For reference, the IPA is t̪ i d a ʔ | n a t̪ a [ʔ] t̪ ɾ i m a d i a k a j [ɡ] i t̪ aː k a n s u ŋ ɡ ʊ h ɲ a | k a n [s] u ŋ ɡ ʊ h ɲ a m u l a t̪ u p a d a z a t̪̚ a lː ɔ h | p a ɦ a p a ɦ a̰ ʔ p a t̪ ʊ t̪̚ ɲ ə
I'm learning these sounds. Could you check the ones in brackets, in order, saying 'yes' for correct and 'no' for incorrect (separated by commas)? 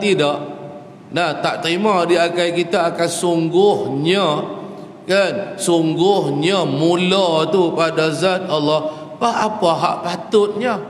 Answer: yes, no, yes